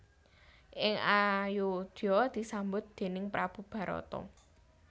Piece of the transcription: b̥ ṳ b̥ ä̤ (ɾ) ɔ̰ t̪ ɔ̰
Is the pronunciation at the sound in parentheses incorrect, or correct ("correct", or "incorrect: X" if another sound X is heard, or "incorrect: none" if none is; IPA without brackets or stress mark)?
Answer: correct